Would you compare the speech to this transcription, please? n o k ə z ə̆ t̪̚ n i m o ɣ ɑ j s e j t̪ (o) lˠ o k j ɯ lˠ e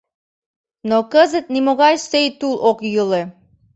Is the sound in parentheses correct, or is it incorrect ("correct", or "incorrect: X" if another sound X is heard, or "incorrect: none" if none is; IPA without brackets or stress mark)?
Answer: incorrect: u